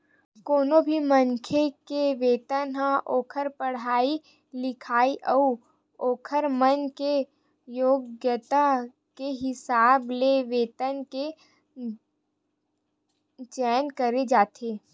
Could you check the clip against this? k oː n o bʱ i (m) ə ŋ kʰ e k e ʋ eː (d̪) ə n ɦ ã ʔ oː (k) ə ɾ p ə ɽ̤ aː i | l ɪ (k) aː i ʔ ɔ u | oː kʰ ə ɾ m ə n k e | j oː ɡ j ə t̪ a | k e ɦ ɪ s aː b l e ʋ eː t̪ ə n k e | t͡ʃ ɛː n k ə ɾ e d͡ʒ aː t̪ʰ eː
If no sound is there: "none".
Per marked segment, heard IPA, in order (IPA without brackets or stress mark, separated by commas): m, t̪, kʰ, kʰ